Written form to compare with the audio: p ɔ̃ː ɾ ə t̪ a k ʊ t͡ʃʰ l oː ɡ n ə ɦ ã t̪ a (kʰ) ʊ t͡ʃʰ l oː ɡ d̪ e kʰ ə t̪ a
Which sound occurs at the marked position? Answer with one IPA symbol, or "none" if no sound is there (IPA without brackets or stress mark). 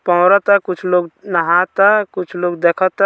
k